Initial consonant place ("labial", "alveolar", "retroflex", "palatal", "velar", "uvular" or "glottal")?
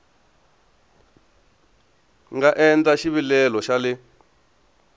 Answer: velar